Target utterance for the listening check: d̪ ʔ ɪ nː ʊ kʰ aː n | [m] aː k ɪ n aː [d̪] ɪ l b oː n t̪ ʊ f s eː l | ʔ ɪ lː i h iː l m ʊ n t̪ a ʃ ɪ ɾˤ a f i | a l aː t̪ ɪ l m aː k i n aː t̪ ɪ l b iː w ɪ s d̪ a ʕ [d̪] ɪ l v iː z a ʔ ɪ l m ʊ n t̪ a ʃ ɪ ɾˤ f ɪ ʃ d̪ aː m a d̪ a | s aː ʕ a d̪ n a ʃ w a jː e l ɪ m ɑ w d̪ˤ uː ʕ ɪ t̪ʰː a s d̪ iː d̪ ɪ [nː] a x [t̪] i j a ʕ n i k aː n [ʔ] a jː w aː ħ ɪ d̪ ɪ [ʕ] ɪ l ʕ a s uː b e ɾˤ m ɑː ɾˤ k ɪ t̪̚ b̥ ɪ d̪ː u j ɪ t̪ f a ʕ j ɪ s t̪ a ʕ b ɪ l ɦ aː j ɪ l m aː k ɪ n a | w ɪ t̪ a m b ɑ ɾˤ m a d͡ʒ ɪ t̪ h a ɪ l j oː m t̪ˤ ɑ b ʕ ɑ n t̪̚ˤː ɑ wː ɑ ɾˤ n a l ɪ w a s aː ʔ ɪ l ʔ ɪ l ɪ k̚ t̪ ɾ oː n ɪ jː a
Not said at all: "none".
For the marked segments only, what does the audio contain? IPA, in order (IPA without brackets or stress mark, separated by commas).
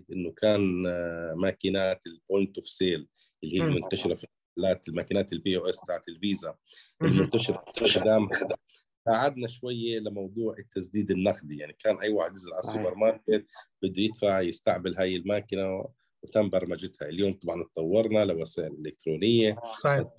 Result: m, t̪, t̪, nː, d̪, ʔ, z